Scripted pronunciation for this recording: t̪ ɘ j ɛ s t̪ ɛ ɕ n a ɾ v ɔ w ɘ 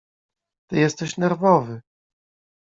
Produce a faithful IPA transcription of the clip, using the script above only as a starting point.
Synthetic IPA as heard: t̪ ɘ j ɛ s t̪ ɛ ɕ n ɛ ɾ v ɔ v ɘ